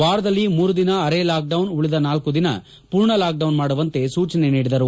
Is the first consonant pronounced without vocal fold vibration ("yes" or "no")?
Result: no